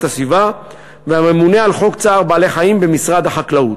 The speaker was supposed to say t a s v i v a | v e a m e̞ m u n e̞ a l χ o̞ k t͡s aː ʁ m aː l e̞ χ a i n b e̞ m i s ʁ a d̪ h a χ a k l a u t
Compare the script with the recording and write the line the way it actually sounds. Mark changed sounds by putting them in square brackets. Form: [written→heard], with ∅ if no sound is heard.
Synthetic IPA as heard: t a s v i v a | v e a m e̞ m u n e̞ a l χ o̞ k t͡s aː ʁ [m→b] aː l e̞ χ a i [n→m] b e̞ m i s ʁ a d̪ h a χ a k l a u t